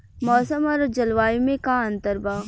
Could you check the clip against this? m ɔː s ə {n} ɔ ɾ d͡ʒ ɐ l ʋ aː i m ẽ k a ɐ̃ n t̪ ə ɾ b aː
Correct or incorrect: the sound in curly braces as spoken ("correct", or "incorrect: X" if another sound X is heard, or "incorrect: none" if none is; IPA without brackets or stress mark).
incorrect: m